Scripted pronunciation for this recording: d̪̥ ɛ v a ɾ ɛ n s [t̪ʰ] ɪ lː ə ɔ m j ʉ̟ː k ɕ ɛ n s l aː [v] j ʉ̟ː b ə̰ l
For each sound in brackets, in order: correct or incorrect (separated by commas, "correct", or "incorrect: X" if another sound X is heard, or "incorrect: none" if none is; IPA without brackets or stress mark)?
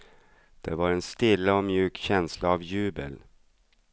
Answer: incorrect: t̪, correct